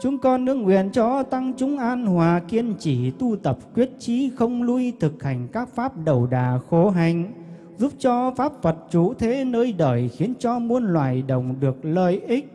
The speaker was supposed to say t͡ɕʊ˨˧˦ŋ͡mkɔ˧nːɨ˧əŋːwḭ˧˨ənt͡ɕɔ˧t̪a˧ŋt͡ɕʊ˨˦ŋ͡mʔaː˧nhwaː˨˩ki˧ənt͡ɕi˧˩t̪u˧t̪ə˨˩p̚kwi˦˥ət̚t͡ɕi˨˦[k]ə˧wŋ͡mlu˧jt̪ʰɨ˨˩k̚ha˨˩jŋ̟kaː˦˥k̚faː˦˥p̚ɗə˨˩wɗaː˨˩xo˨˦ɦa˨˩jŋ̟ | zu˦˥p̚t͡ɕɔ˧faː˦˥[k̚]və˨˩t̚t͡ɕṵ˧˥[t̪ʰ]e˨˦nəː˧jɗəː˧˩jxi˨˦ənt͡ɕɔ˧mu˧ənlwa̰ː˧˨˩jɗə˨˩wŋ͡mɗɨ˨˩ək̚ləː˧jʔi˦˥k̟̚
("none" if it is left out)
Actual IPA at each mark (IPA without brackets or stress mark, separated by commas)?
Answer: x, p̚, t̪ʰ